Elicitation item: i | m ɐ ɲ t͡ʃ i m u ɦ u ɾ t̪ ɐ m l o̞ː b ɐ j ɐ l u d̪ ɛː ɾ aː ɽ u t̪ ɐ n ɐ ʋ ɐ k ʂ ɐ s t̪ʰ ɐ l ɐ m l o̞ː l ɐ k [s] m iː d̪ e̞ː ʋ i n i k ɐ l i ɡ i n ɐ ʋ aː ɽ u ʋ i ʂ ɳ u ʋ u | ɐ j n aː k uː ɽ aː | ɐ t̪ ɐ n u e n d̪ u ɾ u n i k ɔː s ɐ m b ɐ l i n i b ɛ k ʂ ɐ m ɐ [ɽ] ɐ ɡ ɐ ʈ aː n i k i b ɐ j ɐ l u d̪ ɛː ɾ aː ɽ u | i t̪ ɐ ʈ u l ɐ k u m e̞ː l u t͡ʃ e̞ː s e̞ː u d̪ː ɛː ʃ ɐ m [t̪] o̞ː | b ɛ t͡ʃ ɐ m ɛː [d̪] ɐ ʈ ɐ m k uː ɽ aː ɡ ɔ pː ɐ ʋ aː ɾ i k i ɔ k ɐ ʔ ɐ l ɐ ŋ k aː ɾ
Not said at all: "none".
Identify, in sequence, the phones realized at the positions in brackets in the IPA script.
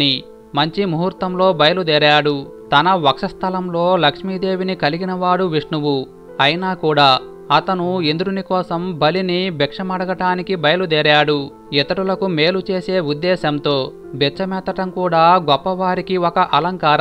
ʂ, ɽ, t̪, t̪

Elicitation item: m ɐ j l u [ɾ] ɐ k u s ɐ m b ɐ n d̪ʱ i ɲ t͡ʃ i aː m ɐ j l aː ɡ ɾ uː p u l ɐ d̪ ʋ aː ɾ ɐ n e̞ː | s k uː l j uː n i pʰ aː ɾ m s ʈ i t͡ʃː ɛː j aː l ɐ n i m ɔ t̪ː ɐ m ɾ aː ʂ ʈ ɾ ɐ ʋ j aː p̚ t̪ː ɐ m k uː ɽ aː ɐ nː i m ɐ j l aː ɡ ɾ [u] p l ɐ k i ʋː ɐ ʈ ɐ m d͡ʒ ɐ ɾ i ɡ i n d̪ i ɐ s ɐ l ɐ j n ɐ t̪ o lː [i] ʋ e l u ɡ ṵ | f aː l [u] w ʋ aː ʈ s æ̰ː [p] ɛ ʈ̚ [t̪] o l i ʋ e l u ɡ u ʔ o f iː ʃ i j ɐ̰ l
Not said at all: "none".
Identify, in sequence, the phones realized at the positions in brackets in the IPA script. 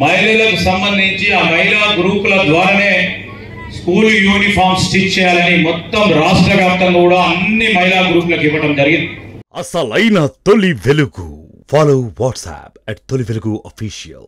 l, uː, i, o, p, t̪

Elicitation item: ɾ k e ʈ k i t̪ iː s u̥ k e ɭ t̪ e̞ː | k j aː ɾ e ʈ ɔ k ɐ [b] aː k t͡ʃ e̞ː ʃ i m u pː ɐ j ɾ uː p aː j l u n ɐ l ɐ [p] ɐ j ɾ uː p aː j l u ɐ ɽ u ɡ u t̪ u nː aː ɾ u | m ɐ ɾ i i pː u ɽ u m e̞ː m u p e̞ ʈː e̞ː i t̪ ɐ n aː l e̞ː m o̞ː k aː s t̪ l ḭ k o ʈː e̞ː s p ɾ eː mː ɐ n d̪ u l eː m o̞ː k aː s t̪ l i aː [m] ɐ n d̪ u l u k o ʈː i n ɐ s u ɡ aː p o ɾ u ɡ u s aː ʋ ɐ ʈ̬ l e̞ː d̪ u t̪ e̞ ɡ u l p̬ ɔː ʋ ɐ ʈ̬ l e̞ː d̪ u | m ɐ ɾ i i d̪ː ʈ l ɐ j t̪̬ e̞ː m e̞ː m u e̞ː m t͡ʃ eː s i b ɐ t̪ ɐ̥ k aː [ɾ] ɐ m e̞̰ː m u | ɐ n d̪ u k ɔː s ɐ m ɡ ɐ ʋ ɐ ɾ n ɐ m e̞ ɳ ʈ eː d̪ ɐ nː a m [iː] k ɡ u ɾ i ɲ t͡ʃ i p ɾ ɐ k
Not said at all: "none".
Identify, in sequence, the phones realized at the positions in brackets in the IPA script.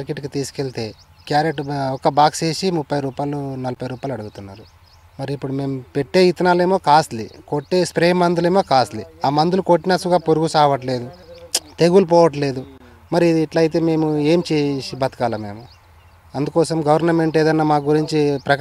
b, p, m, l, aː

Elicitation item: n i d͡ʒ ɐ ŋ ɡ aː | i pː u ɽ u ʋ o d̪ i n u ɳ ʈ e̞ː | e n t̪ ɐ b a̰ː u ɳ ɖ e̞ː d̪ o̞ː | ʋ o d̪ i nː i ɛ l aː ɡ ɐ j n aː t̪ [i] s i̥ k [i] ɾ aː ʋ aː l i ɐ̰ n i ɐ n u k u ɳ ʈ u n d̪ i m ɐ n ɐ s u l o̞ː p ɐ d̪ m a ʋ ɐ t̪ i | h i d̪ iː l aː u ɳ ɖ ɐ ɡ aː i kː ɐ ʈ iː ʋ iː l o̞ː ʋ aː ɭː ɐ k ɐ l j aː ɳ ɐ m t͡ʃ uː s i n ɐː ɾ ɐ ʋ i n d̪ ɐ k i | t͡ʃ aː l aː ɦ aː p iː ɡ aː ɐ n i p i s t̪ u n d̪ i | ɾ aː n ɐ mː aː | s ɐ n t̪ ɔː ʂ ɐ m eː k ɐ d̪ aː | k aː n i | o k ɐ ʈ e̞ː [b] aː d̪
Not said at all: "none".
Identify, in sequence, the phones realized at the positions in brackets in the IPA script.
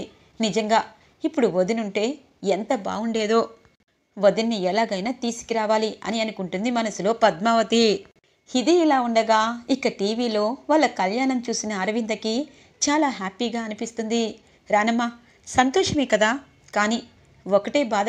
iː, i, b

